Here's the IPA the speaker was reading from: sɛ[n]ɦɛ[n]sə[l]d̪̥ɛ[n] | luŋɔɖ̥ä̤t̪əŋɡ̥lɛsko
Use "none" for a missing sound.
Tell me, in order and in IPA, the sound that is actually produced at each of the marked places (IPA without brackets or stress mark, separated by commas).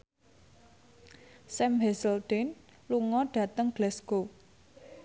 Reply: m, none, l, n